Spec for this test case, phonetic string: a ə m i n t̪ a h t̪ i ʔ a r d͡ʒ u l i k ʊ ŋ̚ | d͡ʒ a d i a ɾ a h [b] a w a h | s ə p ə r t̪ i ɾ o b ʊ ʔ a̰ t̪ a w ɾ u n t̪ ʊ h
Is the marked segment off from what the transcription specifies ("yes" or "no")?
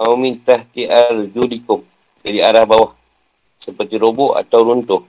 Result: no